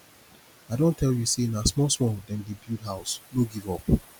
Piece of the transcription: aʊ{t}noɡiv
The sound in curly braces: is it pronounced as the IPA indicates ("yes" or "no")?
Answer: no